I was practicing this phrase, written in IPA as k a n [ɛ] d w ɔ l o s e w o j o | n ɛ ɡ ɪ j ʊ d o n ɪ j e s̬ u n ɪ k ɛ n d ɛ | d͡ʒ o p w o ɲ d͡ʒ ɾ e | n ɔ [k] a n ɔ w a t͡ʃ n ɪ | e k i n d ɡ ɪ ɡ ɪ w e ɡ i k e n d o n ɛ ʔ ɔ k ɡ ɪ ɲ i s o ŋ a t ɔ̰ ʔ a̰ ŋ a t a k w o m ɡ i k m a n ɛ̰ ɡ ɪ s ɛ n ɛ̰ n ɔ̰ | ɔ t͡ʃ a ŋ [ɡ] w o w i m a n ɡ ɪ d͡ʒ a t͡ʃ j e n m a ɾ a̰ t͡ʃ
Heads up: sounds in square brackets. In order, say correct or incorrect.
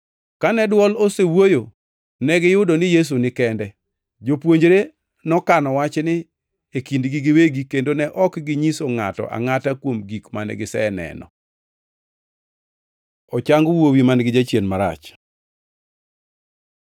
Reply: correct, correct, correct

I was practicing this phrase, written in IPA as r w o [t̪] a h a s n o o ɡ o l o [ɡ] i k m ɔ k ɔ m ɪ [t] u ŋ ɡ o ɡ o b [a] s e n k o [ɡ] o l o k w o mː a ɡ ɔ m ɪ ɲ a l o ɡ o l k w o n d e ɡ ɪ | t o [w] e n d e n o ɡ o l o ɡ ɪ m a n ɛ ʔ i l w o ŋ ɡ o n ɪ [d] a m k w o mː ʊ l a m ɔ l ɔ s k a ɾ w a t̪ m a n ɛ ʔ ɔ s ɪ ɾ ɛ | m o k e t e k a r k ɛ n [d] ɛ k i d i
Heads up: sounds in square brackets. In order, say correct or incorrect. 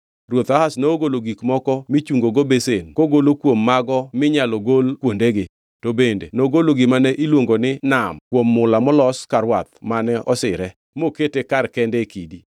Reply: correct, correct, incorrect, incorrect, correct, incorrect, incorrect, correct

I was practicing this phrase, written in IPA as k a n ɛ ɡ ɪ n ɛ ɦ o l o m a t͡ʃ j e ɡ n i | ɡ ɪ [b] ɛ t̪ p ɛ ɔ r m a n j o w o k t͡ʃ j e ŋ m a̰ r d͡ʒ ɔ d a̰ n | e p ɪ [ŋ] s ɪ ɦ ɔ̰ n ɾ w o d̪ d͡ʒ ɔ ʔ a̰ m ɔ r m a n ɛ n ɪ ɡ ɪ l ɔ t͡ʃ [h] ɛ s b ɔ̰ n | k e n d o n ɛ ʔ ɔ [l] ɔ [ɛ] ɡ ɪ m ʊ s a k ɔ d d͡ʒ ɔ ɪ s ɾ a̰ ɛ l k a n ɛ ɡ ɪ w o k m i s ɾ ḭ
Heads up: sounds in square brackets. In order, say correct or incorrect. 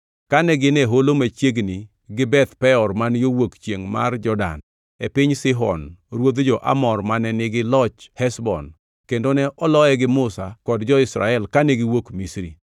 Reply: correct, incorrect, correct, correct, correct

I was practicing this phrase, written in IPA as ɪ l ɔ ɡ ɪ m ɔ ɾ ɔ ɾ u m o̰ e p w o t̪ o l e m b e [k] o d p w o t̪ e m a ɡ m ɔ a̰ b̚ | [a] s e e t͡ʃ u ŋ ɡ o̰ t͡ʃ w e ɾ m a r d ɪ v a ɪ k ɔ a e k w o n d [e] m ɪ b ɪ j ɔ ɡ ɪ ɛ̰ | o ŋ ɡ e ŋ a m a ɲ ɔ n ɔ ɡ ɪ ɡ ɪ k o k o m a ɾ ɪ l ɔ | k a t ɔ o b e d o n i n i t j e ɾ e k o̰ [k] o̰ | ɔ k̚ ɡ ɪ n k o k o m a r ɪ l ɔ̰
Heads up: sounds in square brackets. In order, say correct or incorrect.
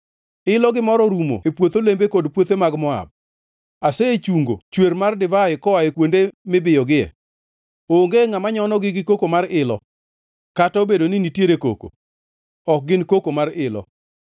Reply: correct, correct, correct, correct

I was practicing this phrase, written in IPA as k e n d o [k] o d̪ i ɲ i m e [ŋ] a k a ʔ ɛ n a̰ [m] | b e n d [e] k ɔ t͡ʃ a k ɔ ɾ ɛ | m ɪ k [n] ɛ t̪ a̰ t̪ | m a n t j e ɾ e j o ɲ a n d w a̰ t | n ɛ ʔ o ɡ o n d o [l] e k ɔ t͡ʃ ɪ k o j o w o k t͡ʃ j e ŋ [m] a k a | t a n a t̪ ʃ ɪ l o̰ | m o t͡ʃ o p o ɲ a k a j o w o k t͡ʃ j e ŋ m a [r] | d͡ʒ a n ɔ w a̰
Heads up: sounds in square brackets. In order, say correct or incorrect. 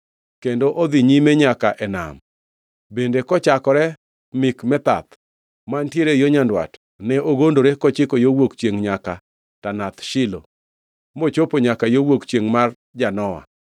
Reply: incorrect, incorrect, correct, correct, incorrect, incorrect, incorrect, correct

